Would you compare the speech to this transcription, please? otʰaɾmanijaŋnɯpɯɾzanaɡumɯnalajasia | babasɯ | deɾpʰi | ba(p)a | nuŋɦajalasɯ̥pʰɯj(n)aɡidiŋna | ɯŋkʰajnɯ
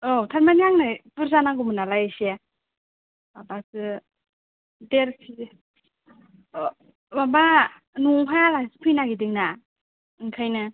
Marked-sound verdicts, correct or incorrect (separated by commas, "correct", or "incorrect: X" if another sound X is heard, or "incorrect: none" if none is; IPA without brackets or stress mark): incorrect: b, correct